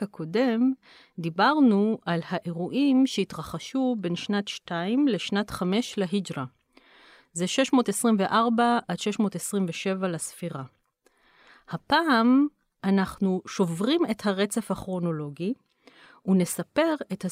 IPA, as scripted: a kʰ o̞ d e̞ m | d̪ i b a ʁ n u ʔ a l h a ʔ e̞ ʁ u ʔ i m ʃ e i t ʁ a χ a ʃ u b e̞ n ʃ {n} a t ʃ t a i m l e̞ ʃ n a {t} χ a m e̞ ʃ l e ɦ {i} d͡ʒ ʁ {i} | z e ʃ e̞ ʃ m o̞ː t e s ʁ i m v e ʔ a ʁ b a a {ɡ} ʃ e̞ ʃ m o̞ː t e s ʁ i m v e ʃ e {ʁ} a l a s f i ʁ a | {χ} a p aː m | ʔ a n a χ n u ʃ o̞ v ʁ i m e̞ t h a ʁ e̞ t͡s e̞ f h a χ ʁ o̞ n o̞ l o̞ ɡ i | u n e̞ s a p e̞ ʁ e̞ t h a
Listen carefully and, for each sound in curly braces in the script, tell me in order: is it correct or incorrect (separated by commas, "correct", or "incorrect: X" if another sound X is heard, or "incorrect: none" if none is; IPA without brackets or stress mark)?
correct, correct, correct, incorrect: a, incorrect: d, incorrect: v, incorrect: h